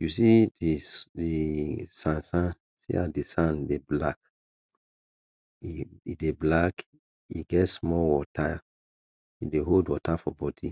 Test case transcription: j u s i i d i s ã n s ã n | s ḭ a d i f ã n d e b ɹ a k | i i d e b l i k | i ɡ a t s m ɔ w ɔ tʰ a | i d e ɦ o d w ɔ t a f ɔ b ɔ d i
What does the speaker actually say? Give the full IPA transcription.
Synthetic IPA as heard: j u s i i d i s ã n s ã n | s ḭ a d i s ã n d e b l a k | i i d e b l a k | i ɡ ɛ t s m ɔ w ɔ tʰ a | i d e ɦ o d w ɔ t a f ɔ b ɔ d i